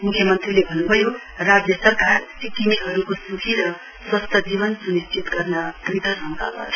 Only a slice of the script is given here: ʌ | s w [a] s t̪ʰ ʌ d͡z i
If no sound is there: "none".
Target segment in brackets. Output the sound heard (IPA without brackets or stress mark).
ʌ